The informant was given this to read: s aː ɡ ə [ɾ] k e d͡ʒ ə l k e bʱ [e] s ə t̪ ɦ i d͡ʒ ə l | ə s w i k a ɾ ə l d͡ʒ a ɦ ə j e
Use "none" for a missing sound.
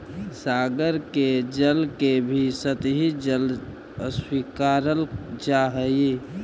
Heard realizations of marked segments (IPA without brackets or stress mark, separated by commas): ɾ, i